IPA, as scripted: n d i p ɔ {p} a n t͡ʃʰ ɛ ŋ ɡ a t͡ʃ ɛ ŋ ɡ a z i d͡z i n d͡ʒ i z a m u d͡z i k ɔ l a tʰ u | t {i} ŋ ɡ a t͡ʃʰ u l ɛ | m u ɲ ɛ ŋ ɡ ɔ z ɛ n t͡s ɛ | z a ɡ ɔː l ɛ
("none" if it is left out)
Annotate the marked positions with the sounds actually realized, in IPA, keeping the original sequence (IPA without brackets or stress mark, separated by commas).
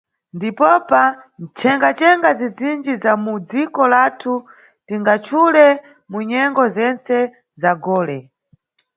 p, i